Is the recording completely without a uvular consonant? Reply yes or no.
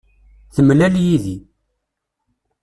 yes